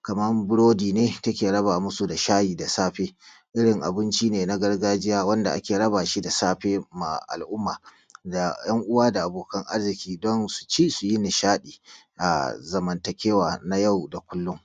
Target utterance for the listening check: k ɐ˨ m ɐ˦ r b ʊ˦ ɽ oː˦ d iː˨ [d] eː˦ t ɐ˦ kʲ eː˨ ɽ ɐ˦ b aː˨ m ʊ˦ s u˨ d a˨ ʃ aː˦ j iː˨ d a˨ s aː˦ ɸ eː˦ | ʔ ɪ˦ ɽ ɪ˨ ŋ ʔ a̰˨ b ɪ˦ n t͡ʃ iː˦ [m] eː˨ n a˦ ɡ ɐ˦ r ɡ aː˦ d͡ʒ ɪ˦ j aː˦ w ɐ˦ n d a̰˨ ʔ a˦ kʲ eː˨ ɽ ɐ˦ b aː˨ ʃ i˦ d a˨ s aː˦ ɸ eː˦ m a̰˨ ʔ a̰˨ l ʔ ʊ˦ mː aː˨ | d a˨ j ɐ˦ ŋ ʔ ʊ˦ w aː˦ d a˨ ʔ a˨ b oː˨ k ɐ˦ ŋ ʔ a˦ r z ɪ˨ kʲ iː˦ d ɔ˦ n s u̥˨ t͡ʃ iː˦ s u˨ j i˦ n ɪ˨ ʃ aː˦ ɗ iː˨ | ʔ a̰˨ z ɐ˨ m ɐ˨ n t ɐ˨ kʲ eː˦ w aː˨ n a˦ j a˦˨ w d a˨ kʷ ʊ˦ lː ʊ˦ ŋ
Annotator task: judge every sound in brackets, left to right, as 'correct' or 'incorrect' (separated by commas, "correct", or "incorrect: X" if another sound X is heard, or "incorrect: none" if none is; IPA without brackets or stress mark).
incorrect: n, incorrect: n